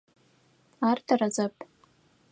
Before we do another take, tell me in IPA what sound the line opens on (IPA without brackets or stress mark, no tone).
a